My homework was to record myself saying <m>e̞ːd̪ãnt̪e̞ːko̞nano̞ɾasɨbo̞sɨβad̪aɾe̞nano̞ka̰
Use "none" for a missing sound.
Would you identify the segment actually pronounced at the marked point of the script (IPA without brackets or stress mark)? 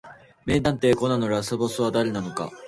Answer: m